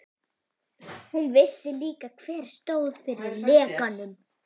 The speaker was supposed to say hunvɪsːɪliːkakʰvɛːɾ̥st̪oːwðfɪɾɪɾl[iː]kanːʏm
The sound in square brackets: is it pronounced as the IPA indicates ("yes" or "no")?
no